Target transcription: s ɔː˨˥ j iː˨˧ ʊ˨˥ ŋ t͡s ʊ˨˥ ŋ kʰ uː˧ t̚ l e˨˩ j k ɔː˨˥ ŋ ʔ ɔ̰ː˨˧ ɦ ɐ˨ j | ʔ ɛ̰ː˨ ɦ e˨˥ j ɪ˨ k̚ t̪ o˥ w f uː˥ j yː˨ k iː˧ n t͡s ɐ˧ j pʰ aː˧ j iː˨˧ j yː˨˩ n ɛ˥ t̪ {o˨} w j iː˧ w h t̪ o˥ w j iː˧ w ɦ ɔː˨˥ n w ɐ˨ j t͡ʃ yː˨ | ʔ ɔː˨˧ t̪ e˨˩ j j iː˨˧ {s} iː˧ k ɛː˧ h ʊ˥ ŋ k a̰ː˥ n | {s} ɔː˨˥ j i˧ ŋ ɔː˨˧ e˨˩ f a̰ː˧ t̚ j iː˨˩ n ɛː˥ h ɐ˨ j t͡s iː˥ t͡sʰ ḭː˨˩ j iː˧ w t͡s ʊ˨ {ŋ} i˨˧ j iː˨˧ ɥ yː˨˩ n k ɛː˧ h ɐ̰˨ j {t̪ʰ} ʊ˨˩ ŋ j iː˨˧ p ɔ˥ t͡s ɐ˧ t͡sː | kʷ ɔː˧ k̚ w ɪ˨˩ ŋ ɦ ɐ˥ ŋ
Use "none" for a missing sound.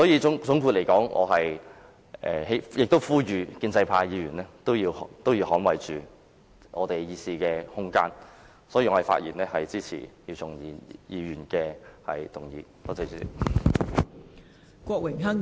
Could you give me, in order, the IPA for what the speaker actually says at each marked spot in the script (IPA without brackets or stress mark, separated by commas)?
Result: o˥, s, s, ŋ, t̪